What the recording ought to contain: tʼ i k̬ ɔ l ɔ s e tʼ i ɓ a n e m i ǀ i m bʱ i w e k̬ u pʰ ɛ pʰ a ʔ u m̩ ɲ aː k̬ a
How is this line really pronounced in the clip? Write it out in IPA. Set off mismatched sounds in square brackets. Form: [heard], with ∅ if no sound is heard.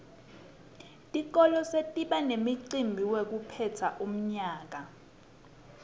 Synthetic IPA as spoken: tʼ i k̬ ɔ l ɔ s e tʼ i ɓ a n e m i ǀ i m bʱ i w e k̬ u pʰ ɛ [tʰ] a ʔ u m̩ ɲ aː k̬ a